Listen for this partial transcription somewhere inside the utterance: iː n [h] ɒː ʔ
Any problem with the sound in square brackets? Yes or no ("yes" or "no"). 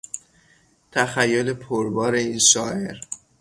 yes